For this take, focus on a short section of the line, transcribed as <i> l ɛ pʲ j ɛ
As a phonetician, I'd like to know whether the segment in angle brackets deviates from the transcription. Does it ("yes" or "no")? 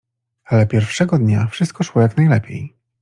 yes